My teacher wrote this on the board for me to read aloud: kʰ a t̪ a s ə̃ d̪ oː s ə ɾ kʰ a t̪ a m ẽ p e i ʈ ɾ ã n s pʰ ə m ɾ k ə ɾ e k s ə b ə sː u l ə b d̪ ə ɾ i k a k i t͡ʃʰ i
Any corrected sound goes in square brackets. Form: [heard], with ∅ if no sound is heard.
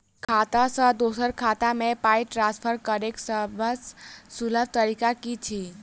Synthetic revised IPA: kʰ a t̪ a s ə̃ d̪ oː s ə ɾ kʰ a t̪ a m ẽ p [a] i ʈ ɾ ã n s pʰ ə [∅] ɾ k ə ɾ e k s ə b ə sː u l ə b [t̪] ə ɾ i k a k i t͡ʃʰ i